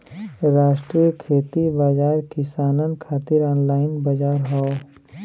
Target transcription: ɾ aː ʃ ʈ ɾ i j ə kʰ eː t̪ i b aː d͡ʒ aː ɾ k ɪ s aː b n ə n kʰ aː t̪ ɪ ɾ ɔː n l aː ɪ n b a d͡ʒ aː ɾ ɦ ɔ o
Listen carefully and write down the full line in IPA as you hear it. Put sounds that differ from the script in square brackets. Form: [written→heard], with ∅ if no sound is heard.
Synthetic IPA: ɾ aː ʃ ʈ ɾ i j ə kʰ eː t̪ i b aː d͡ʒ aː ɾ k ɪ s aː [b→∅] n ə n kʰ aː t̪ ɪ ɾ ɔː n l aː ɪ n b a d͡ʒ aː ɾ ɦ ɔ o